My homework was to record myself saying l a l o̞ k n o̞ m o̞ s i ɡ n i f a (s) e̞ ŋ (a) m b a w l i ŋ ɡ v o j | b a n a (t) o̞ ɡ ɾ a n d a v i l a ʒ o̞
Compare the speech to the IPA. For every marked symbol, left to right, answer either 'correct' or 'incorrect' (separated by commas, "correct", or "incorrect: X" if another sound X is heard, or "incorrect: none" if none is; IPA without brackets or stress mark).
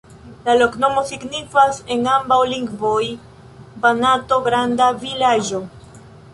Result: correct, correct, correct